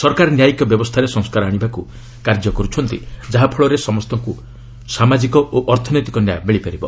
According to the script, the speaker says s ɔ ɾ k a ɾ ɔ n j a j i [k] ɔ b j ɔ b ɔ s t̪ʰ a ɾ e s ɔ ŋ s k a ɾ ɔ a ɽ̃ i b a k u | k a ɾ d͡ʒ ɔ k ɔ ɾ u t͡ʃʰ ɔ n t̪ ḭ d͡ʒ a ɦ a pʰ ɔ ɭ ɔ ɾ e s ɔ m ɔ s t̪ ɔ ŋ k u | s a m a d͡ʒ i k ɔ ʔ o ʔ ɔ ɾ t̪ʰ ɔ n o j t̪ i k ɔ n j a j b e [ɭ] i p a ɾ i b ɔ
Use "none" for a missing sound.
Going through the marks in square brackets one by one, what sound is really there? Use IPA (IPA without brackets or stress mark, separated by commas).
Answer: k, ɭ